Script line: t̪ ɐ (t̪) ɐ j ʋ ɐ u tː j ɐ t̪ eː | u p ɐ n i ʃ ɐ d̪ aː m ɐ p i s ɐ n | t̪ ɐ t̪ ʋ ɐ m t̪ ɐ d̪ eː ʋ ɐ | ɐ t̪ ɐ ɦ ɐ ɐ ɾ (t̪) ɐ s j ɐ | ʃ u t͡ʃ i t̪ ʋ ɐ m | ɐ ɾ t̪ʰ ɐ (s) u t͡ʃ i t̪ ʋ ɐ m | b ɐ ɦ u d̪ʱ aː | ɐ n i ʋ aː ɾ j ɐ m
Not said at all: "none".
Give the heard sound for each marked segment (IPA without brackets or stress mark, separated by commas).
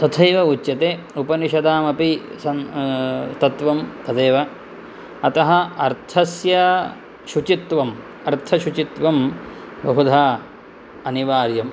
t̪ʰ, t̪ʰ, ʃ